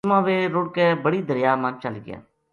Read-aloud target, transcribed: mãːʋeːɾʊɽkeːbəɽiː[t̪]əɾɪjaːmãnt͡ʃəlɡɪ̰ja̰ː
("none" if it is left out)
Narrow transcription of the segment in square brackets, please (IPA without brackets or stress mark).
d̪